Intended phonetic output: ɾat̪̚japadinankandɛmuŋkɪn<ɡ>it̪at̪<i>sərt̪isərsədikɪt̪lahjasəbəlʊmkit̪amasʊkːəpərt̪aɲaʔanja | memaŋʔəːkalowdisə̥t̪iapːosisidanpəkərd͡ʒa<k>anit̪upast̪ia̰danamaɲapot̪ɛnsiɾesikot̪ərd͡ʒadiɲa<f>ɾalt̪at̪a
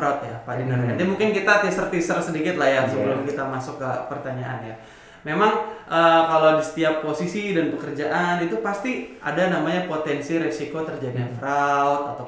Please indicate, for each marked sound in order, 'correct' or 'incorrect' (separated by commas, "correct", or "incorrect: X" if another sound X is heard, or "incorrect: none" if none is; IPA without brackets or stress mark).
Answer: incorrect: k, correct, incorrect: ʔ, correct